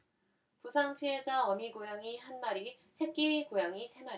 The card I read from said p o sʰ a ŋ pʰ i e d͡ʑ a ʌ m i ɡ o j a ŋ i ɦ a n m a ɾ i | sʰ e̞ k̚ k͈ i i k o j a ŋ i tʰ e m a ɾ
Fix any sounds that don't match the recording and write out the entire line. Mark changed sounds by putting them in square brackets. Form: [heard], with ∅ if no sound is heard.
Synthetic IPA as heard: p [u] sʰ a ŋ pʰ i e d͡ʑ a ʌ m i ɡ o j a ŋ i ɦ a n m a ɾ i | sʰ e̞ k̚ k͈ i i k o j a ŋ i [sʰ] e m a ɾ